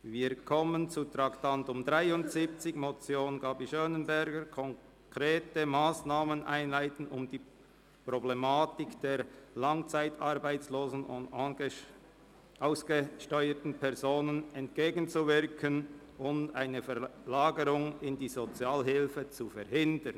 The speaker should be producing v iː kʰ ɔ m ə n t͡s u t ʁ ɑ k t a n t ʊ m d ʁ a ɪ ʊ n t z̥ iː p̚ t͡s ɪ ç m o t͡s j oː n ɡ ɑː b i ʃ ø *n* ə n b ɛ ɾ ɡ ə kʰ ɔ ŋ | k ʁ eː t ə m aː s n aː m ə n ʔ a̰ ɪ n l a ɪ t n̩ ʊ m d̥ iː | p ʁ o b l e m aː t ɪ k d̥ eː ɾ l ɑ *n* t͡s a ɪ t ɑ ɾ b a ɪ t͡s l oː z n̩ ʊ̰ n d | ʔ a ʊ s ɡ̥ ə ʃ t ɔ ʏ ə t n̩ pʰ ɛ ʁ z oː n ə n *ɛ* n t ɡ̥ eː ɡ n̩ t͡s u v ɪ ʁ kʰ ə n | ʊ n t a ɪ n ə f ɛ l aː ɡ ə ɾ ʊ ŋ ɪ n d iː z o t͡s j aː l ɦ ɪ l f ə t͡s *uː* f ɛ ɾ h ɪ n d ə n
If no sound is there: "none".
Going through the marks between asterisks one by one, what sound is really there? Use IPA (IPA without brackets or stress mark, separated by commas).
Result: n, ŋ, ɛ, u